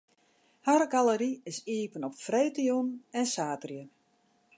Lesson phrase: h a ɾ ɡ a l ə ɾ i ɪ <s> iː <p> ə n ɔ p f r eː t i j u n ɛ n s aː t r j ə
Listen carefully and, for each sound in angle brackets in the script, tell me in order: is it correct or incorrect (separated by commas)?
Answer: correct, correct